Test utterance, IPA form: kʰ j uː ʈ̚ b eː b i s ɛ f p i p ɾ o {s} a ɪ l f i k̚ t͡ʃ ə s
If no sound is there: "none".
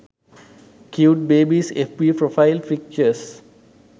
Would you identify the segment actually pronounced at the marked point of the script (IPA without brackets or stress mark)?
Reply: f